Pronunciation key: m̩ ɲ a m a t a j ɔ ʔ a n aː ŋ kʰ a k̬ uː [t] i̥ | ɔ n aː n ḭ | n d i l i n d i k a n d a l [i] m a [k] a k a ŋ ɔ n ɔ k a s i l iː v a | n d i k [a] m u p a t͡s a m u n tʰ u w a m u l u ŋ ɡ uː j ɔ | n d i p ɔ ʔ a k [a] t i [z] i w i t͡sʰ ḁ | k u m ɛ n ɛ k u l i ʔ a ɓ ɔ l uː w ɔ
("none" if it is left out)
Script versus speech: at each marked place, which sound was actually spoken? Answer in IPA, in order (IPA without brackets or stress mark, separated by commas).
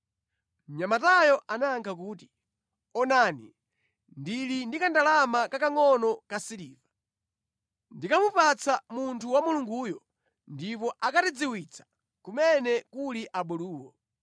t, a, k, a, a, d͡z